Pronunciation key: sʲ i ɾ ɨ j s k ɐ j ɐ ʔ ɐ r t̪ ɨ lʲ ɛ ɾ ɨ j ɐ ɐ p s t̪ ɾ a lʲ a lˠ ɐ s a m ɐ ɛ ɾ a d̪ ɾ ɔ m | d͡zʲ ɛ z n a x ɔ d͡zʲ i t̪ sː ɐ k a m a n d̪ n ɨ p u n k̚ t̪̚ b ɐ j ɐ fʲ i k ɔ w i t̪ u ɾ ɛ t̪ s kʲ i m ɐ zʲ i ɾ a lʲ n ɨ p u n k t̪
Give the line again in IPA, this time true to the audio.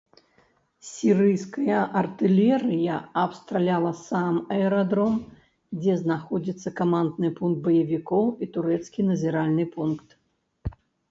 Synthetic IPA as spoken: sʲ i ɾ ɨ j s k ɐ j ɐ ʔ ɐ r t̪ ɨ lʲ ɛ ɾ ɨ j ɐ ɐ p s t̪ ɾ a lʲ a lˠ ɐ s a m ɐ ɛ ɾ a d̪ ɾ ɔ m | d͡zʲ ɛ z n a x ɔ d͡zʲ i t̪ sː ɐ k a m a n d̪ n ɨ p u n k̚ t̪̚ b ɐ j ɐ vʲ i k ɔ w i t̪ u ɾ ɛ t̪ s kʲ i n ɐ zʲ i ɾ a lʲ n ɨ p u n k t̪

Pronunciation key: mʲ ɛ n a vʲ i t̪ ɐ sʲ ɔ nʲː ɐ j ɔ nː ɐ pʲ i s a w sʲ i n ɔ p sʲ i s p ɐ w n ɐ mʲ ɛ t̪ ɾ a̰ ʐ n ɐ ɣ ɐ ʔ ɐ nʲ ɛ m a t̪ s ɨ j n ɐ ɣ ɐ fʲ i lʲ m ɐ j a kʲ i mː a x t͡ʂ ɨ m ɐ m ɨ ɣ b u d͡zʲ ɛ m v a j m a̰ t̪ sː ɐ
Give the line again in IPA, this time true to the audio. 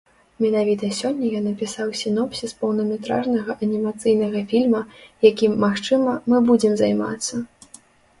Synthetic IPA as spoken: mʲ ɛ n a vʲ i t̪ ɐ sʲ ɔ nʲː ɐ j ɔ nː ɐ pʲ i s a w sʲ i n ɔ p sʲ i s p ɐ w n ɐ mʲ ɛ t̪ ɾ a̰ ʐ n ɐ ɣ ɐ ʔ ɐ nʲ i m a t̪ s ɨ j n ɐ ɣ ɐ fʲ i lʲ m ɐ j a kʲ i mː a x t͡ʂ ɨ m ɐ m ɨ b u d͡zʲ ɛ m z a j m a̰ t̪ sː ɐ

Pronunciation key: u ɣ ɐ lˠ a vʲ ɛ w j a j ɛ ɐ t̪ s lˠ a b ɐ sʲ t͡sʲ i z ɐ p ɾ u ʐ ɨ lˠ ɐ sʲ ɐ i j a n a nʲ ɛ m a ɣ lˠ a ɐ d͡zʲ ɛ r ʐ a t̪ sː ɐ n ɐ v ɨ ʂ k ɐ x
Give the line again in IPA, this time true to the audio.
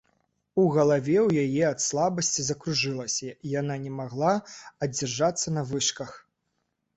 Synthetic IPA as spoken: u ɣ ɐ lˠ a vʲ ɛ w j a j ɛ ɐ t̪ s lˠ a b ɐ sʲ t͡sʲ i z ɐ k ɾ u ʐ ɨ lˠ ɐ sʲ ɐ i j a n a nʲ ɛ m a ɣ lˠ a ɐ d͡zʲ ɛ r ʐ a t̪ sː ɐ n ɐ v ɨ ʂ k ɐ x

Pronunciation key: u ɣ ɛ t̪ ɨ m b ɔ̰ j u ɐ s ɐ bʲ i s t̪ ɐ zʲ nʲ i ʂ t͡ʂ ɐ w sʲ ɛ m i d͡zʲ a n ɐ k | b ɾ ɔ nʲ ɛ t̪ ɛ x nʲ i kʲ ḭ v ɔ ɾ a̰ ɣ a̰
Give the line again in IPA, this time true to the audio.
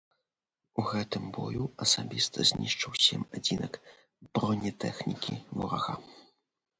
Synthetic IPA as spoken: u ɣ ɛ t̪ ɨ m b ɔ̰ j u ɐ s a bʲ i s t̪ ɐ zʲ nʲ i ʂ t͡ʂ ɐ w sʲ ɛ m a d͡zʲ i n ɐ k | b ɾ ɔ nʲ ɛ t̪ ɛ x nʲ i kʲ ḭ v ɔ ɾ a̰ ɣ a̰

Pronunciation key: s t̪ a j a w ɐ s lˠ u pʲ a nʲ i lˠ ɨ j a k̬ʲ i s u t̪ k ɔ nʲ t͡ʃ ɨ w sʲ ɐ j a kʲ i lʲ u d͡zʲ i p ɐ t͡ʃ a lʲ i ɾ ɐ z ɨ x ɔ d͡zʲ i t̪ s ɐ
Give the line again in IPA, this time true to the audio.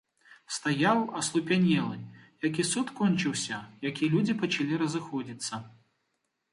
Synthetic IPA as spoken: s t̪ a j a w ɐ s lˠ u pʲ a nʲ ɛ lˠ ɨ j a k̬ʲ i s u t̪ k ɔ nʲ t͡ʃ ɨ w sʲ ɐ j a kʲ i lʲ u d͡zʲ i p ɐ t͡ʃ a lʲ i ɾ ɐ z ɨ x ɔ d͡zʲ i t̪ sː ɐ

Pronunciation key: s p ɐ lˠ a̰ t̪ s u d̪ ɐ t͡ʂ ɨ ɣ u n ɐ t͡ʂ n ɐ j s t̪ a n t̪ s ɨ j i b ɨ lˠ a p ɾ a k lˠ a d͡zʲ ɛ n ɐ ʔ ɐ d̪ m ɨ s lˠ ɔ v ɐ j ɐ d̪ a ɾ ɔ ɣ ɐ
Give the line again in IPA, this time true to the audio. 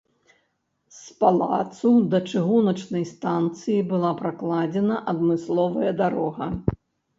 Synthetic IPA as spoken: s p a lˠ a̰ t̪ s u d̪ ɐ t͡ʂ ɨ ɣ u n ɐ t͡ʂ n ɐ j s t̪ a n t̪ s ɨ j i b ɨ lˠ a p ɾ a k lˠ a d͡zʲ ɛ n ɐ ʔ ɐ d̪ m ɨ s lˠ ɔ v ɐ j ɐ d̪ a ɾ ɔ ɣ ɐ

